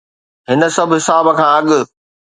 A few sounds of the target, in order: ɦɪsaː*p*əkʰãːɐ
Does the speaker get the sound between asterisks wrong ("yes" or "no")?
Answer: yes